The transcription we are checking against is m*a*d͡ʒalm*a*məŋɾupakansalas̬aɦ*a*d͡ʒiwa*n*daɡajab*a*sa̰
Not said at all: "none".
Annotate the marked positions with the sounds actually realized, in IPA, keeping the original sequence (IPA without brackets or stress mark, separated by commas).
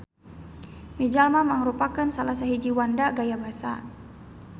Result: i, a, i, n, a